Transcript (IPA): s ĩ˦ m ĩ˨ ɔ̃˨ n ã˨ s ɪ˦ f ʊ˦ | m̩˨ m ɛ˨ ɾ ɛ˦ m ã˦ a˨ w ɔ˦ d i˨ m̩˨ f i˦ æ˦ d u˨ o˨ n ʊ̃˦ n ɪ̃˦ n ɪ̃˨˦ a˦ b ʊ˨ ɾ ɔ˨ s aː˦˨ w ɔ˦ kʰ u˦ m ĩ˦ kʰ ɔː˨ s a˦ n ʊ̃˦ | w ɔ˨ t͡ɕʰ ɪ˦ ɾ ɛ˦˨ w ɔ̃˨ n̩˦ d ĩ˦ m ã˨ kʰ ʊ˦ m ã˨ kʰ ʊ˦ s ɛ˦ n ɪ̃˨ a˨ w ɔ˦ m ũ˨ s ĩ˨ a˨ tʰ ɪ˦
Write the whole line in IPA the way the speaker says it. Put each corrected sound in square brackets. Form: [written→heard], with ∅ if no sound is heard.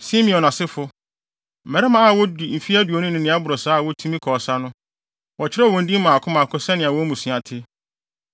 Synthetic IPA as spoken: s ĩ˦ m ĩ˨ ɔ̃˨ n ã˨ s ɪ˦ f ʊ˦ | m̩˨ m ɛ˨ ɾ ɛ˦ m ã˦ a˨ w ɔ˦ d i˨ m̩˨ f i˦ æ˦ d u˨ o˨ n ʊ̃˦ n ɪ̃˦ n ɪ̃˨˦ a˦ b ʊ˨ ɾ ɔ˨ s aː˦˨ w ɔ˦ [kʰ→tʰ] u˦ m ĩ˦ kʰ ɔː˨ s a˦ n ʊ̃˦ | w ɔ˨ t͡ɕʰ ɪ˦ ɾ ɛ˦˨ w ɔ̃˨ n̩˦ d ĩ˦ m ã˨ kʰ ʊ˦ m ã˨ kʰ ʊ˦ s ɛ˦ n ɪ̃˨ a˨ w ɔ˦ m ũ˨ s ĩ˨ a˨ tʰ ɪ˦

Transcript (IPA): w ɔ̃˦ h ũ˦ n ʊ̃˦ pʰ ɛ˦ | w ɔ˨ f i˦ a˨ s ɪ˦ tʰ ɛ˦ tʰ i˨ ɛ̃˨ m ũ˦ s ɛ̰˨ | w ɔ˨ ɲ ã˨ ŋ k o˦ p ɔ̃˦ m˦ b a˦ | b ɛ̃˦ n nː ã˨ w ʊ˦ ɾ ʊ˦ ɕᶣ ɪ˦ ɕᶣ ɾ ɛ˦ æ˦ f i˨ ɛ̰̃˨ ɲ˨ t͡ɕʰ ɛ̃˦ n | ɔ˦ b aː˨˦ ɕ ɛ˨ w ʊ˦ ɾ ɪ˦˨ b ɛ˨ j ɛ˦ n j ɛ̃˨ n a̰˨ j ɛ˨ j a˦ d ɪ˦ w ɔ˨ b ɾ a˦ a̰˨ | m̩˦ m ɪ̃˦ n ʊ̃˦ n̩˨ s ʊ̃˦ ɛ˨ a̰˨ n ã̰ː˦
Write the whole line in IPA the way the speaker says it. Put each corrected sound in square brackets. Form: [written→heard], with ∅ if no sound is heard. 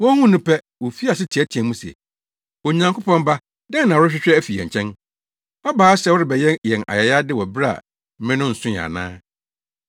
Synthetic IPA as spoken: w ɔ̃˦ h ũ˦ n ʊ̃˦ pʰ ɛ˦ | w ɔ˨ f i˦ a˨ s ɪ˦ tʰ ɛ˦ tʰ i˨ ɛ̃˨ m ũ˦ s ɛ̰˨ | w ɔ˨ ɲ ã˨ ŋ k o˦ p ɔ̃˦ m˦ b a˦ | [b→d] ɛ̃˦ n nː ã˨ w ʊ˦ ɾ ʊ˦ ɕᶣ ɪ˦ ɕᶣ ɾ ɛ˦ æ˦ f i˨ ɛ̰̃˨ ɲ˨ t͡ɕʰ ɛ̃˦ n | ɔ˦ b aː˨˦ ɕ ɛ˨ w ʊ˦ ɾ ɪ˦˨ b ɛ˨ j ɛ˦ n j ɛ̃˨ n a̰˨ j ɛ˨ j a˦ d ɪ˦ w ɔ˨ b ɾ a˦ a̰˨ | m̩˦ m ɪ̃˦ n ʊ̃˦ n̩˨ s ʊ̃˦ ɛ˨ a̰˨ n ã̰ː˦

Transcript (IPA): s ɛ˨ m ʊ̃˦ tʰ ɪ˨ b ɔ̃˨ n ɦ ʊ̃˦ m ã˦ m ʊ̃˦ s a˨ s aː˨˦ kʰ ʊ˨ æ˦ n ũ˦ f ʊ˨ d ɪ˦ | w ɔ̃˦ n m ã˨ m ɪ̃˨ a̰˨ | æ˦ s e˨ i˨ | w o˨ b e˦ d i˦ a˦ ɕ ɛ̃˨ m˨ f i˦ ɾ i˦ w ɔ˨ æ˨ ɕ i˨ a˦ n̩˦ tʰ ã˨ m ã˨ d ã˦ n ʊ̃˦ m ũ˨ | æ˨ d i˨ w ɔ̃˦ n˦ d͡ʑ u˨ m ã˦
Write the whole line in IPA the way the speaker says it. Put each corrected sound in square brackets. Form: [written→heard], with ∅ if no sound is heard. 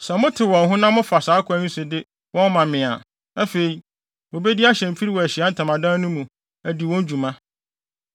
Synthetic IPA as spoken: s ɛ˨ m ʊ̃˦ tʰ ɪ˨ [b→w] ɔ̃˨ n ɦ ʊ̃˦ [m→n] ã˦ m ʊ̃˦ [s→f] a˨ s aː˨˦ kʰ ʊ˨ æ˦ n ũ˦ [f→s] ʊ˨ d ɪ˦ | w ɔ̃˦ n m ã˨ m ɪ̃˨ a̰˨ | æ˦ [s→f] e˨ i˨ | w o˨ b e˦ d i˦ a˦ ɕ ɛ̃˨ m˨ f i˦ ɾ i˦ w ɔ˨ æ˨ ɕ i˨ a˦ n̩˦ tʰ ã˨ m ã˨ d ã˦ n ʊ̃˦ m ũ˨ | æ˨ d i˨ w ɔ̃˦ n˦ d͡ʑ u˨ m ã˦

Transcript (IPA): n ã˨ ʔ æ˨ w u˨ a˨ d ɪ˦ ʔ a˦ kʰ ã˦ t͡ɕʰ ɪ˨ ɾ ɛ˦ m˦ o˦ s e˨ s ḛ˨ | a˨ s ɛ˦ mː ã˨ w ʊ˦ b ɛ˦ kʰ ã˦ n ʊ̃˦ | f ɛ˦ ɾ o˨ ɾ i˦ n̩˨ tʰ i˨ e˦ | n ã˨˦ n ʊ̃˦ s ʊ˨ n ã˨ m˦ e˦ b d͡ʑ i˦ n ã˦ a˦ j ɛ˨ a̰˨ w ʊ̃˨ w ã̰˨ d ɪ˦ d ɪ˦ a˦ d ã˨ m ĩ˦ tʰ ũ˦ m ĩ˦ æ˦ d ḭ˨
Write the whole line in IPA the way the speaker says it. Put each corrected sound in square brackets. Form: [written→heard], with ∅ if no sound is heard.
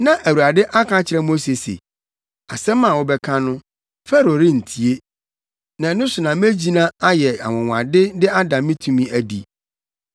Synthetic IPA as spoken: n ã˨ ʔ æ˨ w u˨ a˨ d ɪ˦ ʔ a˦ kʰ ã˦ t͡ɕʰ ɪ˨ ɾ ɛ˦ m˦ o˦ s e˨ s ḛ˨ | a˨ s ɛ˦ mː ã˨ w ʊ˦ b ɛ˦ kʰ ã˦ n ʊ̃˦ | f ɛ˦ ɾ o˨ ɾ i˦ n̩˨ tʰ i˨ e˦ | n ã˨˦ n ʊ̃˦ s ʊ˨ n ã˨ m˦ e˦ [b→∅] d͡ʑ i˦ n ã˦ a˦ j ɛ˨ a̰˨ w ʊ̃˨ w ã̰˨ d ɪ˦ d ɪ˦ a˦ d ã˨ m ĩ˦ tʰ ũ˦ m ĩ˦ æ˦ d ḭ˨

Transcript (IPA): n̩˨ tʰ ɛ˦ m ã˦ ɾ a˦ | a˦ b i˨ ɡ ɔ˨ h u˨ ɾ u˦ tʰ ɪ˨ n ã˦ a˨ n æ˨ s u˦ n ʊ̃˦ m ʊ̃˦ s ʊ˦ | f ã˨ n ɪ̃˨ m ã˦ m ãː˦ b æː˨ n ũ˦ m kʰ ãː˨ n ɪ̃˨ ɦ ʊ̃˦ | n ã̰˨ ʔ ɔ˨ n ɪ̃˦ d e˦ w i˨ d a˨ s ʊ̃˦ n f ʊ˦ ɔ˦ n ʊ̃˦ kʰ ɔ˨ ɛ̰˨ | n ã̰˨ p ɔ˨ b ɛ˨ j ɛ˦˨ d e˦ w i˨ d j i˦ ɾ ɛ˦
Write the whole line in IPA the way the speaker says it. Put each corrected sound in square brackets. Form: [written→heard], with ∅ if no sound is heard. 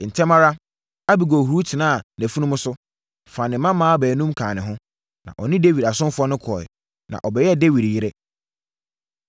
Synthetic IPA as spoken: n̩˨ tʰ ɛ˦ m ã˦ ɾ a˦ | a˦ b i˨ ɡ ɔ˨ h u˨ ɾ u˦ tʰ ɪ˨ n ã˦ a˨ n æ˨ [s→f] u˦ n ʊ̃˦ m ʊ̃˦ s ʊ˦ | f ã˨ n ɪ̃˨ m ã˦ m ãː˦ b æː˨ n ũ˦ m kʰ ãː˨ n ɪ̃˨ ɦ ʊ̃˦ | n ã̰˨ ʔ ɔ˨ n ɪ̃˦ d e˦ w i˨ d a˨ s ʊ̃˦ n f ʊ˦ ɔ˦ n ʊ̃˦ kʰ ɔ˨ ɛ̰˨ | n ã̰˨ [p→ʔ] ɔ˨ b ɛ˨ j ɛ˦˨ d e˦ w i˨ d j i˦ ɾ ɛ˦

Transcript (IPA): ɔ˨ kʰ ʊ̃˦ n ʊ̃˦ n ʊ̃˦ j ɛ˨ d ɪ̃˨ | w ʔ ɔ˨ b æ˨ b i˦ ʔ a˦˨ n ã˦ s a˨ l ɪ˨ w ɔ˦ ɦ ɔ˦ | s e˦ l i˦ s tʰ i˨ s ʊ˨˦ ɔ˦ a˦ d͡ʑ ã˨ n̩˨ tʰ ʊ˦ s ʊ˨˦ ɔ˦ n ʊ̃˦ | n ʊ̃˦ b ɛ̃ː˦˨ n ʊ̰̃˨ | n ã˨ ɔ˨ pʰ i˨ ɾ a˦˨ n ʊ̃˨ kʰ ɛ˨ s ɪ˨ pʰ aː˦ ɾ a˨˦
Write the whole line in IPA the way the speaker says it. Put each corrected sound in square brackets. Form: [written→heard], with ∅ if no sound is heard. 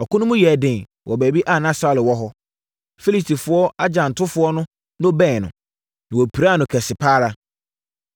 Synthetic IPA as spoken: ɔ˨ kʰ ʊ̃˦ n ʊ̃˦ [n→m] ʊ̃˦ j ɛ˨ d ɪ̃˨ | w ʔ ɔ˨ b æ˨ b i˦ ʔ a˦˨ n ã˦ s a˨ l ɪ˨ w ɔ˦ ɦ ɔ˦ | [s→f] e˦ l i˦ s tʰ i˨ [s→f] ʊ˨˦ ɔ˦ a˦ d͡ʑ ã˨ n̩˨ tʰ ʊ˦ [s→f] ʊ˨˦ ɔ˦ n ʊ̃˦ | n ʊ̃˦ b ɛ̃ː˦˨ n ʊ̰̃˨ | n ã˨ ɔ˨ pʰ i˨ ɾ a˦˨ n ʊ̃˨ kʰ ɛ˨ s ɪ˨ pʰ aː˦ ɾ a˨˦

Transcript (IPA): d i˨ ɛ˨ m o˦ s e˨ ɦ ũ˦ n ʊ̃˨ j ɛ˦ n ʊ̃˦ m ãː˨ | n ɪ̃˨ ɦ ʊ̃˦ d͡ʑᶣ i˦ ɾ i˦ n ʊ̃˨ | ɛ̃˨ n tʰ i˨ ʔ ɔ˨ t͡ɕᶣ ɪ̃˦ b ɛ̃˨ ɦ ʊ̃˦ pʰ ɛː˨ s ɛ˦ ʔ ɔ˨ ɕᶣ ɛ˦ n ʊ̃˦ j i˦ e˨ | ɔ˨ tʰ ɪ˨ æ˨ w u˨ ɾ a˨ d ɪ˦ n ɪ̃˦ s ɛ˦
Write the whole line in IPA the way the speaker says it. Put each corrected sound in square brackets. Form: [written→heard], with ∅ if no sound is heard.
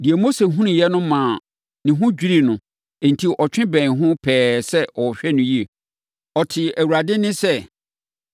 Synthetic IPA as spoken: d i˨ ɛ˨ m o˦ s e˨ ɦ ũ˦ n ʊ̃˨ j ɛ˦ n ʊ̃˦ m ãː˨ | n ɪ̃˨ ɦ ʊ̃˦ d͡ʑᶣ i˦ ɾ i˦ n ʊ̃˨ | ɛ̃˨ n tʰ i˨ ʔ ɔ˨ t͡ɕᶣ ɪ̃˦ b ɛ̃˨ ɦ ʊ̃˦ pʰ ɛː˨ s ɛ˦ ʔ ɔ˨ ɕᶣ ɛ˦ n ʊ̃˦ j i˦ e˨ | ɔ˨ tʰ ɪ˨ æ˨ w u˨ ɾ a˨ d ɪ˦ n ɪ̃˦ s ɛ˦

